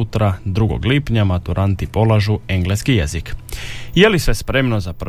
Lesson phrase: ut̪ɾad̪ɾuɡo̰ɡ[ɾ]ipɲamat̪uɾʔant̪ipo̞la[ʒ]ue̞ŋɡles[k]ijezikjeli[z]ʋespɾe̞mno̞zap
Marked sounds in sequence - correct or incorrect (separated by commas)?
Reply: incorrect, correct, correct, incorrect